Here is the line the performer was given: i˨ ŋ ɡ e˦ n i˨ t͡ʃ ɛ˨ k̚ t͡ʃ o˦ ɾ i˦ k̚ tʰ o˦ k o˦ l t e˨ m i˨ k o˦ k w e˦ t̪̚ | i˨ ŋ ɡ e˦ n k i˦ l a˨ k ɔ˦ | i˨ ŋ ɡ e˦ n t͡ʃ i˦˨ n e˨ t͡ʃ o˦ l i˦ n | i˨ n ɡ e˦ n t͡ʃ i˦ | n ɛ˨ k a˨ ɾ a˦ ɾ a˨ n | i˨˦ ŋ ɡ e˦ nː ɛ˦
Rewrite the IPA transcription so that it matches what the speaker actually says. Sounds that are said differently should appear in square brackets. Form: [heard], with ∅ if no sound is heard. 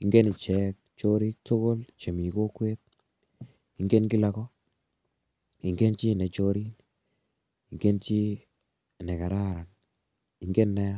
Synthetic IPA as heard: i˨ ŋ ɡ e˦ n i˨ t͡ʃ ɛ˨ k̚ t͡ʃ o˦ ɾ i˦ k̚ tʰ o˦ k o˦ l [t͡ʃ] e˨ m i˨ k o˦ k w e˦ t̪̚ | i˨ ŋ ɡ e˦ n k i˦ l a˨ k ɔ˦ | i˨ ŋ ɡ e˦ n t͡ʃ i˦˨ n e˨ t͡ʃ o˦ [ɾ] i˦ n | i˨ [ŋ] ɡ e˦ n t͡ʃ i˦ | n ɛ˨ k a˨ ɾ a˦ ɾ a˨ n | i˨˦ ŋ ɡ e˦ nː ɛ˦